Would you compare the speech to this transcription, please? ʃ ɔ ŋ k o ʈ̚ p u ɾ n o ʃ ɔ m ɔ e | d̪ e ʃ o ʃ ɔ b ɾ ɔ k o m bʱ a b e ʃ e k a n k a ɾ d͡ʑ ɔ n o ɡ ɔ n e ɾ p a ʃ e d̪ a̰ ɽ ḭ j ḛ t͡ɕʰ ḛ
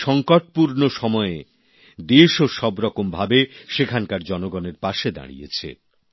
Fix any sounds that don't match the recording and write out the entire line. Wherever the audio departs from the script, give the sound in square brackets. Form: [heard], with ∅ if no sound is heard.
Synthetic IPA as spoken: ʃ ɔ ŋ k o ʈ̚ p u ɾ n o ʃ ɔ m ɔ e | d̪ e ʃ o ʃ ɔ b ɾ ɔ k o m bʱ a b e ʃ e [kʰ] a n k a ɾ d͡ʑ ɔ n o ɡ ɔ n e ɾ p a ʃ e d̪ a̰ ɽ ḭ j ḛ t͡ɕʰ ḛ